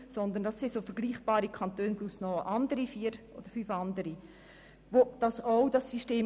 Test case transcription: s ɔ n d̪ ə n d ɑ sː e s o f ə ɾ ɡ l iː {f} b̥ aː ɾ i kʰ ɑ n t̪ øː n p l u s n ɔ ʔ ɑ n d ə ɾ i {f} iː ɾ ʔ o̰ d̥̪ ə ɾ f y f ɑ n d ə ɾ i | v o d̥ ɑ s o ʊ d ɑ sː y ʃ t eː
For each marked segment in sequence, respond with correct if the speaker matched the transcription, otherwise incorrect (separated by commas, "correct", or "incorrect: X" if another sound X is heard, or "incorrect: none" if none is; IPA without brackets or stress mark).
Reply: incorrect: χ, correct